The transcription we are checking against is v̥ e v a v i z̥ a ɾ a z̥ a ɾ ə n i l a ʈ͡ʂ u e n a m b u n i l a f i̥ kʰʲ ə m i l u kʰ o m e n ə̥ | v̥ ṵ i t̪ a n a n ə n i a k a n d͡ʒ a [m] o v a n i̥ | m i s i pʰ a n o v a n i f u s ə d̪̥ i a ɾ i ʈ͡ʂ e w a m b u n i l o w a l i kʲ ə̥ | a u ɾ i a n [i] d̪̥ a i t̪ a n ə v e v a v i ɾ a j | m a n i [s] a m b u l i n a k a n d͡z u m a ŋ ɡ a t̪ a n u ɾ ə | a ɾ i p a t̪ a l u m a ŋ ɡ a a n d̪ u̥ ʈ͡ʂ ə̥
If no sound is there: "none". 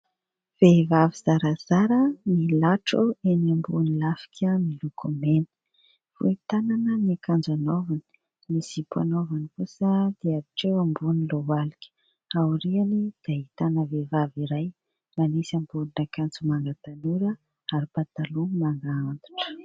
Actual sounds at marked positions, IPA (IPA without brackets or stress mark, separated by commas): n, i, s